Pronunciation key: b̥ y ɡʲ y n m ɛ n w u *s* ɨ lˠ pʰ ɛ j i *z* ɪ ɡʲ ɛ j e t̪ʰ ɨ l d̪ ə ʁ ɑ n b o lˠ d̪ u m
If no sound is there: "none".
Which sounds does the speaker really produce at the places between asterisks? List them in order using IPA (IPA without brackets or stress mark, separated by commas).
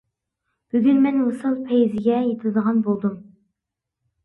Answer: s, z